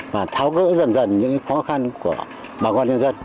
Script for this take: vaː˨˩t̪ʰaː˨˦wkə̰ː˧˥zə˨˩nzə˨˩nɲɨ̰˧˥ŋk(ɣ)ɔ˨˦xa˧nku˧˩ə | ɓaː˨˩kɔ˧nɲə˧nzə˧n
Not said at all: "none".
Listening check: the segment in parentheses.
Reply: x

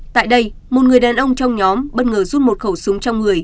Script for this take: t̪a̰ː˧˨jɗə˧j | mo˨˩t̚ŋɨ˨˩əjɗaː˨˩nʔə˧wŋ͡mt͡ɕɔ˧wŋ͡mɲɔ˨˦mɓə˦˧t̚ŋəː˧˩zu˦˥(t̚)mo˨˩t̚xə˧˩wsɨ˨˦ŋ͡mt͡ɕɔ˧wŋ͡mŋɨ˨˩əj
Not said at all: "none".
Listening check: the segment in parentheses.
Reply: t̚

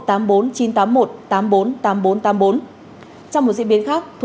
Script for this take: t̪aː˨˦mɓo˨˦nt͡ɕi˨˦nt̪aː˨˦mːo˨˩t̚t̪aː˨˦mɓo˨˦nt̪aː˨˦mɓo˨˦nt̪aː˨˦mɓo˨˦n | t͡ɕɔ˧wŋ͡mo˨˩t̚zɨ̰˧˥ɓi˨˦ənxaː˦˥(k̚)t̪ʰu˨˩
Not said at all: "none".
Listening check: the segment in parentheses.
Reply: k̚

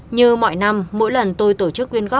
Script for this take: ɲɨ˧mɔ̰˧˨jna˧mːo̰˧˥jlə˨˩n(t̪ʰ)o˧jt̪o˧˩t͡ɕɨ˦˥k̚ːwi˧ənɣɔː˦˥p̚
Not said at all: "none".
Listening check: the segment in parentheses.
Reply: t̪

